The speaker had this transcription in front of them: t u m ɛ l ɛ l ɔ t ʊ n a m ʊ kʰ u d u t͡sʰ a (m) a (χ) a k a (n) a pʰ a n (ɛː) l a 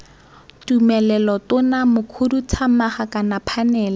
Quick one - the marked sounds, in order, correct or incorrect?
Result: correct, correct, correct, correct

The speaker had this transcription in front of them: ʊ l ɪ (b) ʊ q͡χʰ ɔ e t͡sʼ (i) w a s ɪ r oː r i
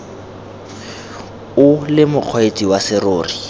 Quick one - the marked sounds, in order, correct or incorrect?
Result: incorrect, correct

